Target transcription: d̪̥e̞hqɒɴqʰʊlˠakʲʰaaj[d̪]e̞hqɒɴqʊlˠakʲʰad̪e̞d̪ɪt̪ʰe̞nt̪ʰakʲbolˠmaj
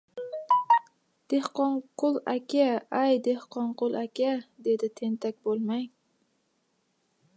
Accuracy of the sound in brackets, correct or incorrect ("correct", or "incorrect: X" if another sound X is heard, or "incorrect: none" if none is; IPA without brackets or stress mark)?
correct